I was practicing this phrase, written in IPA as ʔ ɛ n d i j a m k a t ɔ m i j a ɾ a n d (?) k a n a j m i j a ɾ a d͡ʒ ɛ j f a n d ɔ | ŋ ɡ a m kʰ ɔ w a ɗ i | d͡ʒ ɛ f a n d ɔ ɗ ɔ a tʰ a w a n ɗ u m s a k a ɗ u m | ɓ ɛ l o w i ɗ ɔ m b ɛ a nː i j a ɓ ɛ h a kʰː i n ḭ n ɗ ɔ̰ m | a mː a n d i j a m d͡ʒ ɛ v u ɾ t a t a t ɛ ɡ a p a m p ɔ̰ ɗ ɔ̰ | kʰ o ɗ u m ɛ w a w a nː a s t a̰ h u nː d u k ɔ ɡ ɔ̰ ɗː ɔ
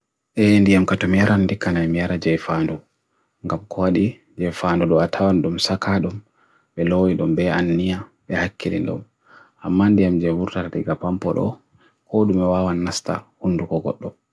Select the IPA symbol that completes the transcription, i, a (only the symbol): i